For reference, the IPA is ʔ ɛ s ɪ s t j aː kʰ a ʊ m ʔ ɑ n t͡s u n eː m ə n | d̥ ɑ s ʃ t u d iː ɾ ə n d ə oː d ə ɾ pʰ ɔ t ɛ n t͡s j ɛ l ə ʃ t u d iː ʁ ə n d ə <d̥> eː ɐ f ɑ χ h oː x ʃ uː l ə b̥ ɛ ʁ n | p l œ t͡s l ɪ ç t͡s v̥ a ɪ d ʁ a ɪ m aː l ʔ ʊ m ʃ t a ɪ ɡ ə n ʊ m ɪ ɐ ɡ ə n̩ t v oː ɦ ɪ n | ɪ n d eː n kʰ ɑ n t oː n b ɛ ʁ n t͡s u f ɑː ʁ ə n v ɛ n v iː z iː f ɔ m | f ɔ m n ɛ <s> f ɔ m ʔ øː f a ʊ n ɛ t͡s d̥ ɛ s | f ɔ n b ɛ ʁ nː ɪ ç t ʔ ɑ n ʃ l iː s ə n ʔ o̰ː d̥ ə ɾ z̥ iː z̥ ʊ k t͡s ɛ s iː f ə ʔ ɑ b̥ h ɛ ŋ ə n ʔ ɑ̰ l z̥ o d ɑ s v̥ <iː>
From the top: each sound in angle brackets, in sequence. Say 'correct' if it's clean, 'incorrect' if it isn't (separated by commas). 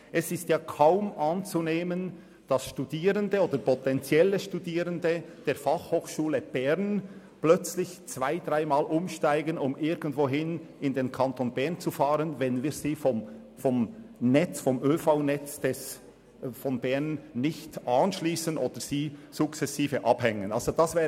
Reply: correct, incorrect, incorrect